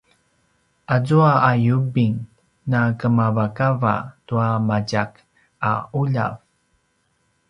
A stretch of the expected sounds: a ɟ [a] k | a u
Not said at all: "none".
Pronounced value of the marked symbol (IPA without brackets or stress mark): a